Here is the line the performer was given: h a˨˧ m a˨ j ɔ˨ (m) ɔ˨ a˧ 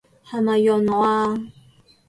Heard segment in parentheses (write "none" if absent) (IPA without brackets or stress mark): n